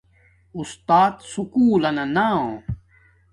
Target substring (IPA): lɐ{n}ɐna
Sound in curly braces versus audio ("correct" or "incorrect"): correct